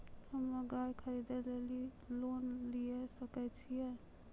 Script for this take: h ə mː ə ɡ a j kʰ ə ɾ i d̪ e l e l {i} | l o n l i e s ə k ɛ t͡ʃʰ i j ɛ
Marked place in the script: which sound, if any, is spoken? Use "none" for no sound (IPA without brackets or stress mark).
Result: i